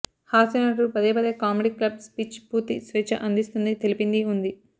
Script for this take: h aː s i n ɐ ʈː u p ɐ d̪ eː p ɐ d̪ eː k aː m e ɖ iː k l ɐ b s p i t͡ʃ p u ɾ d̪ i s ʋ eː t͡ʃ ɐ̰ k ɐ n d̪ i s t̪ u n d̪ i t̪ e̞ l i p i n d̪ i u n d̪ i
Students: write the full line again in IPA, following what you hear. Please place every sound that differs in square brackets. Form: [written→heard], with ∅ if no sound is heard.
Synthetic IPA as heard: h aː s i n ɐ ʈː u p ɐ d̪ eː p ɐ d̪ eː k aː m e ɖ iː k l ɐ b s p i t͡ʃ p u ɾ [d̪→t̪] i s ʋ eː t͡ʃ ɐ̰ [k→ʔ] ɐ n d̪ i s t̪ u n d̪ i t̪ e̞ l i p i n d̪ i u n d̪ i

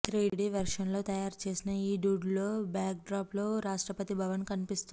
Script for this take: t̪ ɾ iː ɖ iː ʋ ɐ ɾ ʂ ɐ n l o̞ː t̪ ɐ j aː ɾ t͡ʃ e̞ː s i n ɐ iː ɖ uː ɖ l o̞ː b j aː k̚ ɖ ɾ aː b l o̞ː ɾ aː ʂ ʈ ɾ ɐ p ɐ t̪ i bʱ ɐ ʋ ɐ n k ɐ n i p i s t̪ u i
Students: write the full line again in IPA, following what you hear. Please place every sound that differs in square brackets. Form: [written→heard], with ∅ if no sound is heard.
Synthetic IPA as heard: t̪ ɾ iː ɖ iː ʋ ɐ ɾ ʂ ɐ n l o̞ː t̪ ɐ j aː ɾ t͡ʃ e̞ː s i n ɐ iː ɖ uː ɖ l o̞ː b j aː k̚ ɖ ɾ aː [b→p] l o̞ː ɾ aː ʂ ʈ ɾ ɐ p ɐ t̪ i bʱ ɐ ʋ ɐ n k ɐ n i p i s t̪ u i

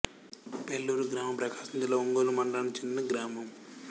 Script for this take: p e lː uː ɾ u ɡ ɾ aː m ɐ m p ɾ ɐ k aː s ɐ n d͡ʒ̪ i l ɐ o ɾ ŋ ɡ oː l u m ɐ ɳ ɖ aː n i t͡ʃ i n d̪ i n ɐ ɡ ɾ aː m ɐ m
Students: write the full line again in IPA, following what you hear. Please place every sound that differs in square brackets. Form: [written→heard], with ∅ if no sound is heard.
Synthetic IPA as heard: p e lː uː ɾ u ɡ ɾ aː m ɐ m p ɾ ɐ k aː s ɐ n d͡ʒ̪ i l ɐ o [ɾ→∅] ŋ ɡ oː l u m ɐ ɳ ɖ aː n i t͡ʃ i n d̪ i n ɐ ɡ ɾ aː m ɐ m

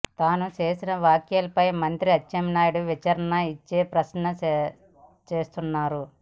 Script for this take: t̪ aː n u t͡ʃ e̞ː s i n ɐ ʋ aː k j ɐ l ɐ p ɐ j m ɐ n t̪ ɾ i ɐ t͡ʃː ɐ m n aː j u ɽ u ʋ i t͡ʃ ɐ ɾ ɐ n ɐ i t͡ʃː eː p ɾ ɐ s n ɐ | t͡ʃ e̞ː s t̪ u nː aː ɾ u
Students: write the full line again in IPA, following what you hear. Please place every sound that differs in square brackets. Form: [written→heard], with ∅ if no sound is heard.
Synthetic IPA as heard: t̪ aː n u t͡ʃ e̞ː s i n ɐ ʋ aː k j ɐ l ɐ p ɐ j m ɐ n t̪ ɾ i ɐ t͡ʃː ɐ m n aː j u ɽ u ʋ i t͡ʃ ɐ ɾ ɐ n ɐ i t͡ʃː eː p ɾ ɐ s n ɐ | t͡ʃ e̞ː s t̪ u nː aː ɾ u

